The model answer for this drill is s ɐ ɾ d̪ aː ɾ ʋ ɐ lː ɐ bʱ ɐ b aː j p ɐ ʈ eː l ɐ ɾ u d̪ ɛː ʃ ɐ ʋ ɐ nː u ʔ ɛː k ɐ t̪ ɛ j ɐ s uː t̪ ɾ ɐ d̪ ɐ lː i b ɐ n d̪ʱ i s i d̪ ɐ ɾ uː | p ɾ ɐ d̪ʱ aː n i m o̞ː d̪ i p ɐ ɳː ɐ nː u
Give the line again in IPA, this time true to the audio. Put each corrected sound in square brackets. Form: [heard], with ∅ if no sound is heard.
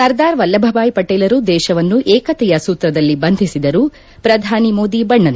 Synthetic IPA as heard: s ɐ ɾ d̪ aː ɾ ʋ ɐ lː ɐ bʱ ɐ b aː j p ɐ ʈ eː l ɐ ɾ u d̪ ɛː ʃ ɐ ʋ ɐ nː u ʔ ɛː k ɐ t̪ ɛ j ɐ s uː t̪ ɾ ɐ d̪ ɐ lː i b ɐ n d̪ʱ i s i d̪ ɐ ɾ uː | p ɾ ɐ d̪ʱ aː n i m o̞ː d̪ i [b] ɐ ɳː ɐ [n] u